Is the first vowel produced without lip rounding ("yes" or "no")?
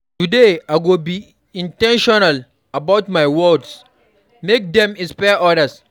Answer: no